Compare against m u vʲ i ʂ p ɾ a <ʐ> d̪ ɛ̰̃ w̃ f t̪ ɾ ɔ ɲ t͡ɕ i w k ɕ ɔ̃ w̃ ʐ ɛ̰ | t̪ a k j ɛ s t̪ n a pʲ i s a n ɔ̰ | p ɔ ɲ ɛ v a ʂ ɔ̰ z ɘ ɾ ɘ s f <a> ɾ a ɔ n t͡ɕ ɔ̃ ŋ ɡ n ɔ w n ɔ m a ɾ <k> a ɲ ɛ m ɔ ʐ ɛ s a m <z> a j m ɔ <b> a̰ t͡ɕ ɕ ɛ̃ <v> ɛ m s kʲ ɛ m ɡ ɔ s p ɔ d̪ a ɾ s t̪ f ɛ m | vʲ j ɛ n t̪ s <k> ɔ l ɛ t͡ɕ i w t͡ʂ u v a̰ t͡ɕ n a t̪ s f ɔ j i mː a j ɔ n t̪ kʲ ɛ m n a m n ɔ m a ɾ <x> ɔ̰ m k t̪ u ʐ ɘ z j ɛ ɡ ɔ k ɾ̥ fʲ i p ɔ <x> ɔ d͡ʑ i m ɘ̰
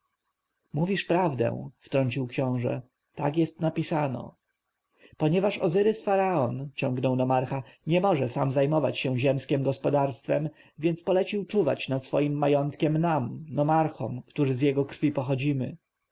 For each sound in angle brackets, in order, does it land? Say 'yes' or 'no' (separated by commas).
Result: no, yes, no, yes, no, no, no, yes, yes